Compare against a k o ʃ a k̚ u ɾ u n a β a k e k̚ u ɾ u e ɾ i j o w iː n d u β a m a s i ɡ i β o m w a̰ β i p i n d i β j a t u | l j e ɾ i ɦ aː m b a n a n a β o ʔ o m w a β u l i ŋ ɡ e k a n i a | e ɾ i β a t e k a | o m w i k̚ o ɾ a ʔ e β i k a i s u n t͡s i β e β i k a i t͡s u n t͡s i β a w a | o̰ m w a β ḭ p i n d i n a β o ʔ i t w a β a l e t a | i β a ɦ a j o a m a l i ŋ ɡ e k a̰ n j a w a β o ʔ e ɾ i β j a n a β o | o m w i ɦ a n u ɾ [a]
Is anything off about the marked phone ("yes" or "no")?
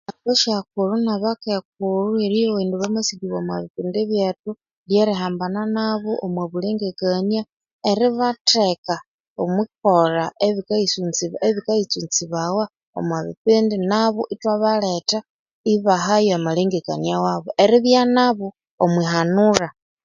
no